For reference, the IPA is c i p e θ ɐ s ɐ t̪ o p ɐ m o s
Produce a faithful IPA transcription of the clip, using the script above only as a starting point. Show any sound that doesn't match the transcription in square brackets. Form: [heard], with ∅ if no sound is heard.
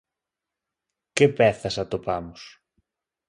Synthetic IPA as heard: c [e] p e θ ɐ s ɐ t̪ o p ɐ m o s